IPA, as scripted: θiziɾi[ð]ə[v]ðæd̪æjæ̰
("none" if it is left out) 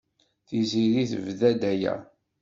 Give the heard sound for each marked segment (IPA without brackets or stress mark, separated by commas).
θ, v